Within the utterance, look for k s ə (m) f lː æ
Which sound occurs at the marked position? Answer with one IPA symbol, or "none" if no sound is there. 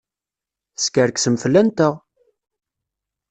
m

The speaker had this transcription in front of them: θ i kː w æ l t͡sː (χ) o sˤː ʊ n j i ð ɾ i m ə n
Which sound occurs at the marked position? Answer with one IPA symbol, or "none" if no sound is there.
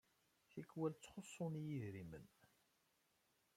χ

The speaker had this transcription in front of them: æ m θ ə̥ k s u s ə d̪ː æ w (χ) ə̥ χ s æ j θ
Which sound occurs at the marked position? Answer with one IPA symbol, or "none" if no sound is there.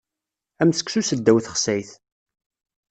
θ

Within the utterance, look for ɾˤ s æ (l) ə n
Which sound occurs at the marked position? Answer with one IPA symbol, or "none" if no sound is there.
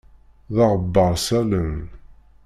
l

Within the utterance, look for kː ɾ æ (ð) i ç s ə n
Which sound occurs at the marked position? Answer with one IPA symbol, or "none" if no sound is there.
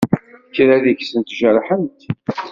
ð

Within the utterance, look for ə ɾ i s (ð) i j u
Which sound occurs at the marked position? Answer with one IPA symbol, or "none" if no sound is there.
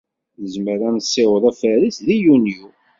ð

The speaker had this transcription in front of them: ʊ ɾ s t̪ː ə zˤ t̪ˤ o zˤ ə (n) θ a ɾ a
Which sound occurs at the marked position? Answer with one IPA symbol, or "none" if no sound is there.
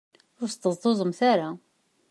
m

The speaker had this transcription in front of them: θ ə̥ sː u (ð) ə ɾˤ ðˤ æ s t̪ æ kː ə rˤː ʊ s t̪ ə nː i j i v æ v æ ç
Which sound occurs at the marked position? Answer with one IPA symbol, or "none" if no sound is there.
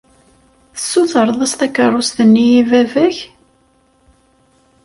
θ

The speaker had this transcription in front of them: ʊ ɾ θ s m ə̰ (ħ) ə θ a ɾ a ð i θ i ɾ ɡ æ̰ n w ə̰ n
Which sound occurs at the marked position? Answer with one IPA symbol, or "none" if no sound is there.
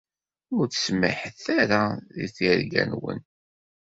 ħ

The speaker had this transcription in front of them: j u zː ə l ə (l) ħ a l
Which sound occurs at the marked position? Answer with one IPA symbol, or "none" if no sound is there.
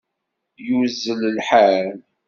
l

